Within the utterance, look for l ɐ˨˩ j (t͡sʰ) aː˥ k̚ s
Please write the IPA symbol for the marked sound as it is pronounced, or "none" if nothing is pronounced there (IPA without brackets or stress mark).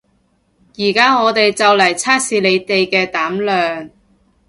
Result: t͡sʰ